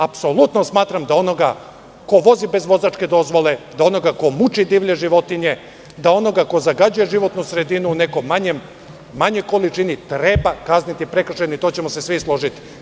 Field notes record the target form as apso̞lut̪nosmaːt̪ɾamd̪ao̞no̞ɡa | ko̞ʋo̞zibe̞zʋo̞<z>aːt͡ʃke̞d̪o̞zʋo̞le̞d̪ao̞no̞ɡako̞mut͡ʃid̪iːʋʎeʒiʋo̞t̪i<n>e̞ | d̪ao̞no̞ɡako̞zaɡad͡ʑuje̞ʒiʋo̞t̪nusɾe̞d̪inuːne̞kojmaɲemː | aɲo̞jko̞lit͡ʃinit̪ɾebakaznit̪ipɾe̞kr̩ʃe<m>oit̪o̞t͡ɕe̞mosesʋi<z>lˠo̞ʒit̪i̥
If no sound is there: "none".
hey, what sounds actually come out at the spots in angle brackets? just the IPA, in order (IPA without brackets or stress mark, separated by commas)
z, ɲ, n, s